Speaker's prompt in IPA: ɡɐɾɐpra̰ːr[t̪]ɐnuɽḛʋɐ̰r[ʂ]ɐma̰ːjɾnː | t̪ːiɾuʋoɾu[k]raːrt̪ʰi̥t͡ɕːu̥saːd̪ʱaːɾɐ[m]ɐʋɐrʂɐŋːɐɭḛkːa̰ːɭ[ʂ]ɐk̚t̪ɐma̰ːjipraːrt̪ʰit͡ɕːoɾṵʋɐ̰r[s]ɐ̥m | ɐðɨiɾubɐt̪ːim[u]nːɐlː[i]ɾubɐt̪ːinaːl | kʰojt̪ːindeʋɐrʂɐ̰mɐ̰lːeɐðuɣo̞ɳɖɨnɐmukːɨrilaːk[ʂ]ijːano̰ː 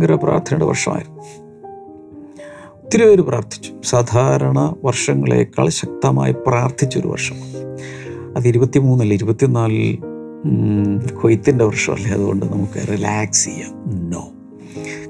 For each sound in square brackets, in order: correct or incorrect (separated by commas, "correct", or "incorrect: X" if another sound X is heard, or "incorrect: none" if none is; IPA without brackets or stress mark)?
incorrect: t̪ʰ, correct, incorrect: p, incorrect: ɳ, incorrect: ɕ, incorrect: ʂ, incorrect: uː, correct, incorrect: s